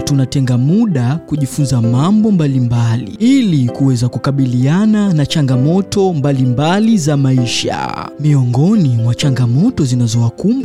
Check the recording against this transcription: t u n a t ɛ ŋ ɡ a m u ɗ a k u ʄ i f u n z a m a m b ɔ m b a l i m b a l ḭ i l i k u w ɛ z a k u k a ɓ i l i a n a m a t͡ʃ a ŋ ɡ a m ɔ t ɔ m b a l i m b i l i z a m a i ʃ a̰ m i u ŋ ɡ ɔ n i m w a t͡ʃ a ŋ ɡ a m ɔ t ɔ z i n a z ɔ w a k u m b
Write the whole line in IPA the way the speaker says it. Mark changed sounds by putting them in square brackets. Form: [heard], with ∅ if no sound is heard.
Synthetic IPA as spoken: t u n a t ɛ ŋ ɡ a m u ɗ a k u ʄ i f u n z a m a m b ɔ m b a l i m b a l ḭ i l i k u w ɛ z a k u k a ɓ i l i a n a [n] a t͡ʃ a ŋ ɡ a m ɔ t ɔ m b a l i m b [a] l i z a m a i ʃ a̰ m i [ɔ] ŋ ɡ ɔ n i m w a t͡ʃ a ŋ ɡ a m ɔ t ɔ z i n a z ɔ w a k u m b